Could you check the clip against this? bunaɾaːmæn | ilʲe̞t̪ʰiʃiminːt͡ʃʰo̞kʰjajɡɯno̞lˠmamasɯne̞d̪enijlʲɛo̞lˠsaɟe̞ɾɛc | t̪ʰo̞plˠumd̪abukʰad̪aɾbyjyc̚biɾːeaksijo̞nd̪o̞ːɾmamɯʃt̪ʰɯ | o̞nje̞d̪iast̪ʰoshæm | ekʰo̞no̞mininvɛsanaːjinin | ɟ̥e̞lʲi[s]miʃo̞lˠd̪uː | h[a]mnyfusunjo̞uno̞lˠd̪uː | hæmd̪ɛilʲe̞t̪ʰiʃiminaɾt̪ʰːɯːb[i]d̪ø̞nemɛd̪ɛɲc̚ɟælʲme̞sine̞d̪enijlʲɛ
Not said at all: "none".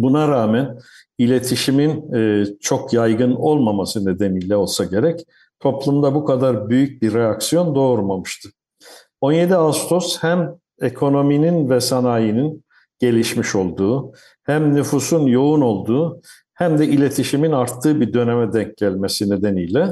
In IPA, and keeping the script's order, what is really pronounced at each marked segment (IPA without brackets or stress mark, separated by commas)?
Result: ʃ, æ, i